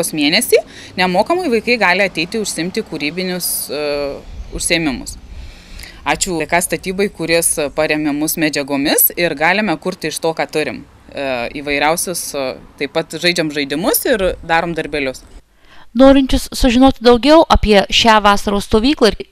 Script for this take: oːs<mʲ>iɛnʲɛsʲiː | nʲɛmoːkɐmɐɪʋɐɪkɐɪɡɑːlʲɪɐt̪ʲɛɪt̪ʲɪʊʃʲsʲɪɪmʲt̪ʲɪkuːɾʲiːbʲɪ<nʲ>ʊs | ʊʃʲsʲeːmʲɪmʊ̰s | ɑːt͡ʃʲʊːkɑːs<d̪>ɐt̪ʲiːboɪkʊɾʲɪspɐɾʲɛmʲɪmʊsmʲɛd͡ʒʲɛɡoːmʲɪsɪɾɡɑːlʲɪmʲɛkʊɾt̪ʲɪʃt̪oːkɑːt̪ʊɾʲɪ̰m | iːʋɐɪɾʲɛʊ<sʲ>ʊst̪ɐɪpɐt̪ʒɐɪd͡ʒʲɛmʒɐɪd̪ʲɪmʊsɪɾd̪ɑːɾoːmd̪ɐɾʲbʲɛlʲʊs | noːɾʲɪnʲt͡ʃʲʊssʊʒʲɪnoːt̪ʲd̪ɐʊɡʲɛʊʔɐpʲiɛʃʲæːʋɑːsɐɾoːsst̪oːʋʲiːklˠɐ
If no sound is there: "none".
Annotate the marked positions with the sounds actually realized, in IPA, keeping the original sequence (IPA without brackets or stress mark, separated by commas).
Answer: mʲ, nʲ, t̪, sʲ